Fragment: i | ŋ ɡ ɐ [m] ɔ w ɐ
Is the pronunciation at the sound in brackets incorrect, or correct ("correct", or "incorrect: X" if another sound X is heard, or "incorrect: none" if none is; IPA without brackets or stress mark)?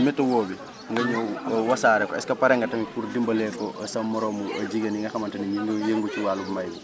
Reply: incorrect: ɲ